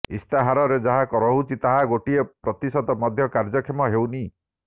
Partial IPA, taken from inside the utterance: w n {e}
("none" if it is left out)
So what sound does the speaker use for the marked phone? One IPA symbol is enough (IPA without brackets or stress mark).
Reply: i